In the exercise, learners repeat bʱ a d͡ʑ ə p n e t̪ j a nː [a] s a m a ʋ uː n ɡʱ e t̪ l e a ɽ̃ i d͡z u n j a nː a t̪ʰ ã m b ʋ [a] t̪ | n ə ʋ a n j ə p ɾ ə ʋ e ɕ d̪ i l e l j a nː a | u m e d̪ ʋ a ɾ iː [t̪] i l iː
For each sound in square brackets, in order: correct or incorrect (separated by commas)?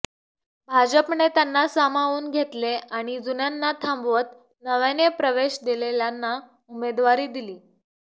correct, incorrect, incorrect